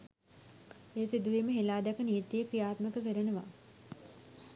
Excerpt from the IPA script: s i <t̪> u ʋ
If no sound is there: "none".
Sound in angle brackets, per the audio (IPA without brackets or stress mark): d̪